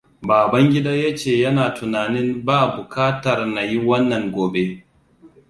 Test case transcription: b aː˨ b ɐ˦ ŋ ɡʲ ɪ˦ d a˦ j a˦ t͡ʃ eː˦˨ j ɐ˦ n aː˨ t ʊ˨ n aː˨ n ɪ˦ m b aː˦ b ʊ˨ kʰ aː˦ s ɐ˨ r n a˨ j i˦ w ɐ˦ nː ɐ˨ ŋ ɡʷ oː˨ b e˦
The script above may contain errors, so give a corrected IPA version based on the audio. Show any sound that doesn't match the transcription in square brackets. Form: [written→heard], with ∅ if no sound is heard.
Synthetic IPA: b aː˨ b ɐ˦ ŋ ɡʲ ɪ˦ d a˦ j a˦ t͡ʃ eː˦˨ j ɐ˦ n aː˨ t ʊ˨ n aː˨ n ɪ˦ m b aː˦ b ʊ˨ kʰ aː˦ [s→t] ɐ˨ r n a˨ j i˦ w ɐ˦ nː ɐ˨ ŋ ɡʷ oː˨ b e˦